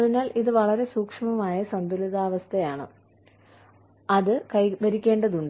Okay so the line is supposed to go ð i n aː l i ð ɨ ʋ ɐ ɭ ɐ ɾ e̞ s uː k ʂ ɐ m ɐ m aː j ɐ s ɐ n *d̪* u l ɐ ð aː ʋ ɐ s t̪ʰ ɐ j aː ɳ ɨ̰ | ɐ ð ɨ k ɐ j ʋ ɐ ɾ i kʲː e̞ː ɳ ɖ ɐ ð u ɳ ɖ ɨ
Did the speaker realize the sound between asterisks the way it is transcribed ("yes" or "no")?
yes